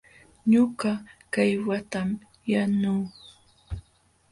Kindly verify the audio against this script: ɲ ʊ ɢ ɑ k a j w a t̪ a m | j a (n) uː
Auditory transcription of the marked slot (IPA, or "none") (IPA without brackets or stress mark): n